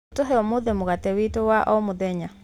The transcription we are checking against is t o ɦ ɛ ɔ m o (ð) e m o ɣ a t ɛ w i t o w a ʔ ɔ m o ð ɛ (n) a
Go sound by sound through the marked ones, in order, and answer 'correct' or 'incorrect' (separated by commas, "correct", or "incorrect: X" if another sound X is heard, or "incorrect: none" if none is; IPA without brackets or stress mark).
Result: correct, incorrect: ɲ